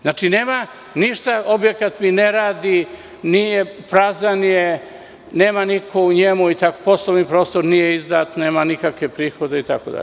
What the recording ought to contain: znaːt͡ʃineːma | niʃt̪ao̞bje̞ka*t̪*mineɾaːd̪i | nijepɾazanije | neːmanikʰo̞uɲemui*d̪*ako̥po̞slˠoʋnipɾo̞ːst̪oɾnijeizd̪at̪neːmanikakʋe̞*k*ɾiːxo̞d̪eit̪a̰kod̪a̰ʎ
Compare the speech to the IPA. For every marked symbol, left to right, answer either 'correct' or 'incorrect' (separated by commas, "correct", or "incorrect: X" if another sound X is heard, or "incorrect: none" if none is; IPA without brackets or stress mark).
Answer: correct, incorrect: t̪, incorrect: p